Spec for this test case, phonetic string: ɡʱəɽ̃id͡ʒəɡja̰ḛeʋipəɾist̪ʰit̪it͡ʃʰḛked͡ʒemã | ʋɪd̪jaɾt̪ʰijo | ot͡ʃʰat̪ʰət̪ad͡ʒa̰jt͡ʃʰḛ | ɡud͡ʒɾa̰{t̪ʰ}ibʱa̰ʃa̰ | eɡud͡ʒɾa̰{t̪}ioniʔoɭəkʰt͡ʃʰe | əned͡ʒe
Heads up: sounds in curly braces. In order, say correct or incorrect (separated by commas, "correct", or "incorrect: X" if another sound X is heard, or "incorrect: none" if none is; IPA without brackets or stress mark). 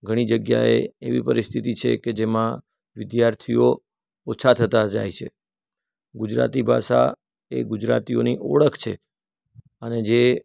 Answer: incorrect: t̪, correct